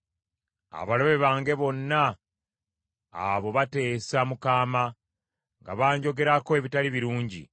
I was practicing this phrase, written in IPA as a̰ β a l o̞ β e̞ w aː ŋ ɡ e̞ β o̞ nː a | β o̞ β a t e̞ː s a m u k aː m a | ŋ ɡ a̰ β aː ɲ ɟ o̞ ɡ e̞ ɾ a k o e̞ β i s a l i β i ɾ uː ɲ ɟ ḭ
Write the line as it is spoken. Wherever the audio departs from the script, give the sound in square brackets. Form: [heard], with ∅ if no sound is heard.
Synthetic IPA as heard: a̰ β a l o̞ β e̞ [β] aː ŋ ɡ e̞ β o̞ nː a | β o̞ β a t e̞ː s a m u k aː m a | ŋ ɡ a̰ β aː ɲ ɟ o̞ ɡ e̞ ɾ a k o e̞ β i [t] a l i β i ɾ uː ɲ ɟ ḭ

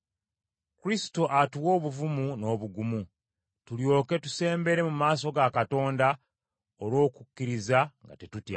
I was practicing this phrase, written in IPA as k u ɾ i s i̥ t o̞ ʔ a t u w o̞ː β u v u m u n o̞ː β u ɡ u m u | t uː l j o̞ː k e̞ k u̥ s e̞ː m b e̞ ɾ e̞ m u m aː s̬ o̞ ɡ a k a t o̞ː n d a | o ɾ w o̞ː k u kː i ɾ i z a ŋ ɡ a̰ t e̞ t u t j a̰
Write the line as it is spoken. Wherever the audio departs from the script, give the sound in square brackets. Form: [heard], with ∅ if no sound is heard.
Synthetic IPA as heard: k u ɾ i s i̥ t o̞ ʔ a t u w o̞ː β u v u m u n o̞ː β u ɡ u m u | t [u] l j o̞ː k e̞ [t] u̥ s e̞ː m b e̞ ɾ e̞ m u m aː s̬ o̞ ɡ a k a t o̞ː n d a | o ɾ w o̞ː k u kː i ɾ i z a ŋ ɡ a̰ t e̞ t u t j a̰

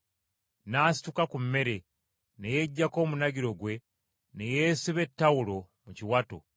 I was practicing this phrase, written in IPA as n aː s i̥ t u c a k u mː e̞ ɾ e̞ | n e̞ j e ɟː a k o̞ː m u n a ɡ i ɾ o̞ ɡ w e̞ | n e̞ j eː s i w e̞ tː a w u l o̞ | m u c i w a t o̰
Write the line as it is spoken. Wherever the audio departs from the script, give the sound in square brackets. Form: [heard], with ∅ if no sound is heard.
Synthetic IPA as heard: n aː s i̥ t u [k] a k u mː e̞ ɾ e̞ | n e̞ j e ɟː a k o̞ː m u n a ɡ i ɾ o̞ ɡ w e̞ | n e̞ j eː s i [β] e̞ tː a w u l o̞ | m u c i w a t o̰

